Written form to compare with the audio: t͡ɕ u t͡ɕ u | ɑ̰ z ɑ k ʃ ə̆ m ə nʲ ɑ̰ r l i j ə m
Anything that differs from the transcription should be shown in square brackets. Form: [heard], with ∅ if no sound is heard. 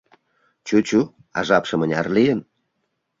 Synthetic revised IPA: t͡ɕ u t͡ɕ u | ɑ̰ [ʒ] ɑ [p] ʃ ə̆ m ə nʲ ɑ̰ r l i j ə [n]